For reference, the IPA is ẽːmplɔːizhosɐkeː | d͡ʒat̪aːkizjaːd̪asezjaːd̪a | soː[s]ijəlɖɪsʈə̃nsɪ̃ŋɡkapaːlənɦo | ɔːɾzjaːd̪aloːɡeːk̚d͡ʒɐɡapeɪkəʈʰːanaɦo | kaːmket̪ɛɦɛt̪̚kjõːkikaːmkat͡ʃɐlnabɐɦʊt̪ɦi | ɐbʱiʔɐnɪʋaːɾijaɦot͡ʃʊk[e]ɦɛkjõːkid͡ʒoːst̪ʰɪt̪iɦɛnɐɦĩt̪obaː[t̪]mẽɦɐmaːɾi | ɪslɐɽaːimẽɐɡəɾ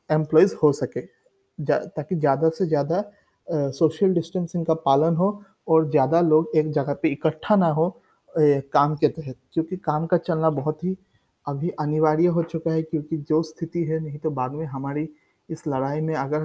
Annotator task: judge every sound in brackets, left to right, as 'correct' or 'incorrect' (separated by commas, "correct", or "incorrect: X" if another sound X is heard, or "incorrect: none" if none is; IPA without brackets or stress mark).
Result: incorrect: ʃ, incorrect: a, incorrect: d̪